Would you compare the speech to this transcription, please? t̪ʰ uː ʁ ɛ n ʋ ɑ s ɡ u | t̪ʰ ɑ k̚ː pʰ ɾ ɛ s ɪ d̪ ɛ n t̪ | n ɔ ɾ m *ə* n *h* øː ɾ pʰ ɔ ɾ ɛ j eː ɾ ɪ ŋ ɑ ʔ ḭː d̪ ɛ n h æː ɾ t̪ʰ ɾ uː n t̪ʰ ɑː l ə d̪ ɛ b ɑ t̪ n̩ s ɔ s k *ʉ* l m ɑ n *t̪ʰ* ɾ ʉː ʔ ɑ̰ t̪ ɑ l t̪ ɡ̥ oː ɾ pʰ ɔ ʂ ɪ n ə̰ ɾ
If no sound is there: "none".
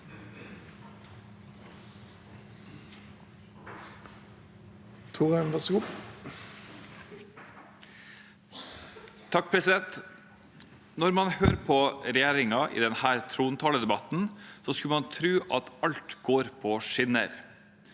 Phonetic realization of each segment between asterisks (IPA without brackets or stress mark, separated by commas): ɑ, h, ʉ, t̪ʰ